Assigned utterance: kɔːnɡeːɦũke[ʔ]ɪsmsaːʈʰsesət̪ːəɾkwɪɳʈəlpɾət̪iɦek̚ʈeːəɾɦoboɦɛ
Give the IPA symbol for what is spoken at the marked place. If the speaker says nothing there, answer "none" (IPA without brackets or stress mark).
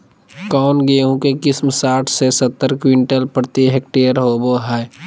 k